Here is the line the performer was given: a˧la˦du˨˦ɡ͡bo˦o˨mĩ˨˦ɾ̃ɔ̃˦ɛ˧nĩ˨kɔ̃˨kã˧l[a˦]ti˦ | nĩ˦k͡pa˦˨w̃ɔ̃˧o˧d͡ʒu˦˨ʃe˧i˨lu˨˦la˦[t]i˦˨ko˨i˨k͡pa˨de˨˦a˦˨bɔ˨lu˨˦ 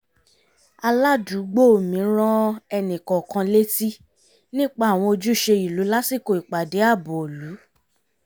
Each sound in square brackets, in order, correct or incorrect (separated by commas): incorrect, incorrect